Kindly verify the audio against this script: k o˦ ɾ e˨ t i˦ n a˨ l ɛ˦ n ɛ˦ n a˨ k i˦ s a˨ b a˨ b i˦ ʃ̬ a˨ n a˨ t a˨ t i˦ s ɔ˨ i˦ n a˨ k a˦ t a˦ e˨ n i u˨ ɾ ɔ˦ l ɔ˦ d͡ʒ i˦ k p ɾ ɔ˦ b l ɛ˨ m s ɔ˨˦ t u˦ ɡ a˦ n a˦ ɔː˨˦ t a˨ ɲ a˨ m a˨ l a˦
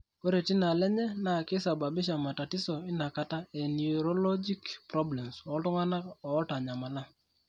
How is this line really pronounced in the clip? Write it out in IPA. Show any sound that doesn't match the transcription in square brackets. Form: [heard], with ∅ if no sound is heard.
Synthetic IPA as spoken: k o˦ ɾ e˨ t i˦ n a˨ l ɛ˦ [ɲ] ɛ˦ n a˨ k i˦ s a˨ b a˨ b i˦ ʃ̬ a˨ [m] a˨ t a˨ t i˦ s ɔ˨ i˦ n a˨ k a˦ t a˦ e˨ n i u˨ ɾ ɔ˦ l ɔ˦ d͡ʒ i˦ k p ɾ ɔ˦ b l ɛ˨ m s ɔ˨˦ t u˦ [ŋ] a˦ n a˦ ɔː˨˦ t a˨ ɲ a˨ m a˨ l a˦